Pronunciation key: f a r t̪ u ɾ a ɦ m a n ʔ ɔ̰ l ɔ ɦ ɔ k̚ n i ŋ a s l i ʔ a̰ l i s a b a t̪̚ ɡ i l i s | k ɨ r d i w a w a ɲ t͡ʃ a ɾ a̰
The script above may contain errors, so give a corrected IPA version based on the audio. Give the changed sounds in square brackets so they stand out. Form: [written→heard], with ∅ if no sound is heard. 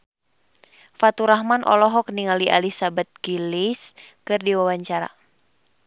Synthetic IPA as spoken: f a [r→∅] t̪ u ɾ a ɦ m a n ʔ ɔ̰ l ɔ ɦ ɔ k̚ n i ŋ a [s→∅] l i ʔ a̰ l i s a b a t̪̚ ɡ i l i s | k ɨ r d i w a w a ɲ t͡ʃ a ɾ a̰